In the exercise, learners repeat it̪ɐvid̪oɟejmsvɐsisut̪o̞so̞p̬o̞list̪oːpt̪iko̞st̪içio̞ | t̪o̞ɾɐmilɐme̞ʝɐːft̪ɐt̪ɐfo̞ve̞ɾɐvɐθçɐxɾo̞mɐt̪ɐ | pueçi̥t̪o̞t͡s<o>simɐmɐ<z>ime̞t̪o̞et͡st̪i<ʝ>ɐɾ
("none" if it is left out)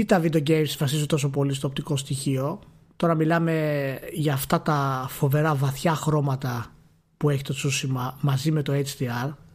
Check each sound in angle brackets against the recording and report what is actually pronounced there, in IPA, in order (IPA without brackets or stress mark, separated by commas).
u, z, none